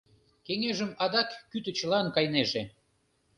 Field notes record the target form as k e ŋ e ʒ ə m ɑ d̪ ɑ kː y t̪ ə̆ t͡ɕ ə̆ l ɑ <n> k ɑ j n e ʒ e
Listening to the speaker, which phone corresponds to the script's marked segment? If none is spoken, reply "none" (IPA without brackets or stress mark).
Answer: n